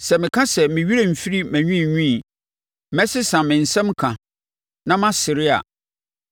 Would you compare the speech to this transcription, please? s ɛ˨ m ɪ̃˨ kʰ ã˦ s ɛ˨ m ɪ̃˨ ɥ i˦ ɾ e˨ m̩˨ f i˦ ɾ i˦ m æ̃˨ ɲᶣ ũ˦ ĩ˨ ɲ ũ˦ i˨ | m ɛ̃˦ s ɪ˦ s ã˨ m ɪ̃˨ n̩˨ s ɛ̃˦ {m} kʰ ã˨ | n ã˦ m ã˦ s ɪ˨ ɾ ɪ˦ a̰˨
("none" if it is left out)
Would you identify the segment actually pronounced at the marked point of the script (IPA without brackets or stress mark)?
m